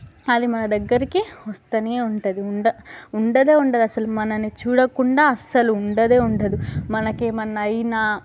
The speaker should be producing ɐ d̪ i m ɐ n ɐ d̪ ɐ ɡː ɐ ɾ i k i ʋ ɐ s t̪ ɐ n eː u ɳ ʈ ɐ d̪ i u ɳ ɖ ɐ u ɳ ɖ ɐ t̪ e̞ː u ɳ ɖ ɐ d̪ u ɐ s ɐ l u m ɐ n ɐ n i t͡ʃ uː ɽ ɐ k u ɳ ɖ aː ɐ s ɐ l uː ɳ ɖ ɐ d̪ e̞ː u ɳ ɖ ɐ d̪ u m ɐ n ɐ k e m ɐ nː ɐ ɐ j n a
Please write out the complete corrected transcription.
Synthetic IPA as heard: ɐ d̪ i m ɐ n ɐ d̪ ɐ ɡː ɐ ɾ i k i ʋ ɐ s t̪ ɐ n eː u ɳ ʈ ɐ d̪ i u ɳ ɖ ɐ u ɳ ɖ ɐ d̪ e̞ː u ɳ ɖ ɐ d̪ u ɐ s ɐ l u m ɐ n ɐ n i t͡ʃ uː ɽ ɐ k u ɳ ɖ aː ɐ s ɐ l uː ɳ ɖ ɐ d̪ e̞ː u ɳ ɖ ɐ d̪ u m ɐ n ɐ k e m ɐ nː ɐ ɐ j n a

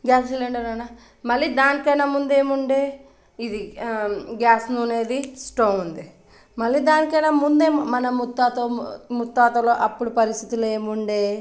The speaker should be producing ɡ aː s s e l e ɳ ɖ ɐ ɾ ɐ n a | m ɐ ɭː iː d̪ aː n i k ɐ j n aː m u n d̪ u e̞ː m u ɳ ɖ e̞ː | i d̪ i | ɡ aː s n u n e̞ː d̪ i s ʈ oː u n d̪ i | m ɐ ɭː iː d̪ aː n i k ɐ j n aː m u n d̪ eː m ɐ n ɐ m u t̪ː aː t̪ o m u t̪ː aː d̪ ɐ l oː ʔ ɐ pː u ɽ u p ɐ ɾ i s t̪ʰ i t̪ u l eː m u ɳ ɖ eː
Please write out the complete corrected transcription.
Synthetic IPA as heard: ɡ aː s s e l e ɳ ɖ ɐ ɾ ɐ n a | m ɐ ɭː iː d̪ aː n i k ɐ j n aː m u n d̪ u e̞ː m u ɳ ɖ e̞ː | i d̪ i | ɡ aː s n u n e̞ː d̪ i s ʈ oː u n d̪ i | m ɐ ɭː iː d̪ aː n i k ɐ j n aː m u n d̪ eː m ɐ n ɐ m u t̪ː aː t̪ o m u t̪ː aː t̪ ɐ l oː ʔ ɐ pː u ɽ u p ɐ ɾ i s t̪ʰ i t̪ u l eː m u ɳ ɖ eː

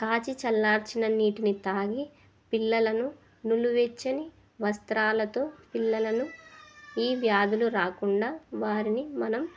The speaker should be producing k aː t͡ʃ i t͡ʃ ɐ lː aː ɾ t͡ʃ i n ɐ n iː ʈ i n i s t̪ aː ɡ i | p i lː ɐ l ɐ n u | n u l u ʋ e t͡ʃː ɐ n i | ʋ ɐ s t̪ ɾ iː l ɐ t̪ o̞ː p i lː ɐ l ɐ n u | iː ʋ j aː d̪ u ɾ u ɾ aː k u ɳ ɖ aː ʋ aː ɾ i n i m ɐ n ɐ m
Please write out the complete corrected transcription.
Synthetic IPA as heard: k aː t͡ʃ i t͡ʃ ɐ lː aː ɾ t͡ʃ i n ɐ n iː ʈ i n i t̪ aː ɡ i | p i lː ɐ l ɐ n u | n u l u ʋ e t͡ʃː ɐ n i | ʋ ɐ s t̪ ɾ aː l ɐ t̪ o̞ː p i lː ɐ l ɐ n u | iː ʋ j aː d̪ u l u ɾ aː k u ɳ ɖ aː ʋ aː ɾ i n i m ɐ n ɐ m

